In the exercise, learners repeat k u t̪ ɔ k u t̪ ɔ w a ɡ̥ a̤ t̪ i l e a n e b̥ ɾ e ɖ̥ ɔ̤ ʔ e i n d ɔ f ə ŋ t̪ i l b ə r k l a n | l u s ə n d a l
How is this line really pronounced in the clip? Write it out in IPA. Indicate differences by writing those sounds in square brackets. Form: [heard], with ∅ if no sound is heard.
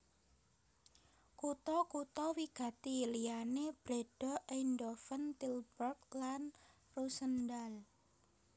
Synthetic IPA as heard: k u t̪ ɔ k u t̪ ɔ w [i] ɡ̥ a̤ t̪ i l [i] a n e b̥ ɾ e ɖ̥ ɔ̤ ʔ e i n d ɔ f ə [n] t̪ i l b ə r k l a n | [r] u s ə n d a l